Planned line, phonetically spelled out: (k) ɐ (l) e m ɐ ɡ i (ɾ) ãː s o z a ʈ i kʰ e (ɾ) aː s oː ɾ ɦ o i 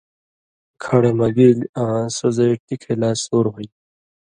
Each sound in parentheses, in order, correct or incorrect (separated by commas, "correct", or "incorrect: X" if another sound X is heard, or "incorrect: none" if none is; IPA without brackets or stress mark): incorrect: kʰ, incorrect: ɽ, incorrect: l, incorrect: l